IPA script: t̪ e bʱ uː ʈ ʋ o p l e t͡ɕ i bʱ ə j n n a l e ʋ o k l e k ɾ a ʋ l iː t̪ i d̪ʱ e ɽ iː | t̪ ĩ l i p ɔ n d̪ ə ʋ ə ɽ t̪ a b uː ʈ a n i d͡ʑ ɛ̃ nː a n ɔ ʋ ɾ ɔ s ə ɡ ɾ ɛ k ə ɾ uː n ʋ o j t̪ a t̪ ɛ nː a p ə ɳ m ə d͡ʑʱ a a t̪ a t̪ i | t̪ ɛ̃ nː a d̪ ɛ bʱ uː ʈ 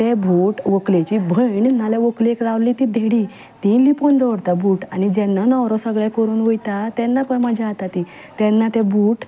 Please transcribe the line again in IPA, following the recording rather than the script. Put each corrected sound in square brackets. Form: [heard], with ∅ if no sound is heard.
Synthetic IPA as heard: t̪ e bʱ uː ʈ ʋ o [k] l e t͡ɕ i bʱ ə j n n a l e ʋ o k l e k ɾ a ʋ l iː t̪ i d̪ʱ e ɽ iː | t̪ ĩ l i p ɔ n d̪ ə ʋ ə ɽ t̪ a b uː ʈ a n i d͡ʑ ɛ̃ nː a n ɔ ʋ ɾ ɔ s ə ɡ [ɭ] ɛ k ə ɾ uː n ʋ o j t̪ a t̪ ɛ nː a p ə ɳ m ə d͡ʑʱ a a t̪ a t̪ i | t̪ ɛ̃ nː a [t̪] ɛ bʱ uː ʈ